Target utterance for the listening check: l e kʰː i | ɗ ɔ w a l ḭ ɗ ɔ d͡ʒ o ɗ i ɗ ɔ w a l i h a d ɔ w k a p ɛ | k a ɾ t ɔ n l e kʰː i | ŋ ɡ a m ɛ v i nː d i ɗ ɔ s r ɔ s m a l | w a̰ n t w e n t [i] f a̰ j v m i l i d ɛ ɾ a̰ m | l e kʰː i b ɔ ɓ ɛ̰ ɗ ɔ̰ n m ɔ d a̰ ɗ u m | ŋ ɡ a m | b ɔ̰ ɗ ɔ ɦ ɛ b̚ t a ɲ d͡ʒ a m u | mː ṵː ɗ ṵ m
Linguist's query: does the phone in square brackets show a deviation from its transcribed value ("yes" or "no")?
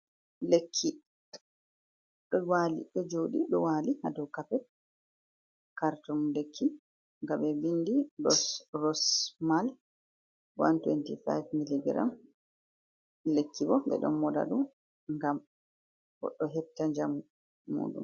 no